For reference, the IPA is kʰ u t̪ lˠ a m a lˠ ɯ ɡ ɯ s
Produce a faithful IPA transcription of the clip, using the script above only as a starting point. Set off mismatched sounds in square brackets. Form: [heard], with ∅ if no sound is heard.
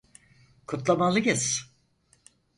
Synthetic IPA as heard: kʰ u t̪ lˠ a m a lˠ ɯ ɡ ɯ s